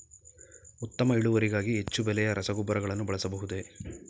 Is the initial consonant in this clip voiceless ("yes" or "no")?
yes